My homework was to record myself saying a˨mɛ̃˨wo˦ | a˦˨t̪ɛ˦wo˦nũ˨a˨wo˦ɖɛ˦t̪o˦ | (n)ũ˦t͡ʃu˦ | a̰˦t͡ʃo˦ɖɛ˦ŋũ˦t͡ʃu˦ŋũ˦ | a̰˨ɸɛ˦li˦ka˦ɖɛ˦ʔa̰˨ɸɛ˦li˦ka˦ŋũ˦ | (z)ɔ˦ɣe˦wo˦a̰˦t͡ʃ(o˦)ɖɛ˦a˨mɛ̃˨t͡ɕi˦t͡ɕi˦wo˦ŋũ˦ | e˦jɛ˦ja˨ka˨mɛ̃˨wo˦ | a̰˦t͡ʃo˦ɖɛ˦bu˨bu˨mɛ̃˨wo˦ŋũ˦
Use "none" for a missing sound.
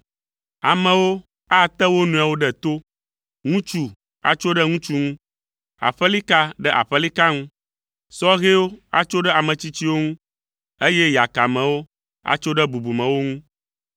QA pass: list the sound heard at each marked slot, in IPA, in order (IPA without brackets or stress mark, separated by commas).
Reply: ŋ, s, o˦